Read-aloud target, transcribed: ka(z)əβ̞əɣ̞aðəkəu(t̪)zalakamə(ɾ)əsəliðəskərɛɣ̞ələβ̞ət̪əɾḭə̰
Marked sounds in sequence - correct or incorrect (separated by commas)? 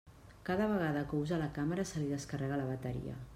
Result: incorrect, incorrect, correct